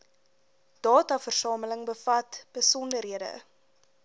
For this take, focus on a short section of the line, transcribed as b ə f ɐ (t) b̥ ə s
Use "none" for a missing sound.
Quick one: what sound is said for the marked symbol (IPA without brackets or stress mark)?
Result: t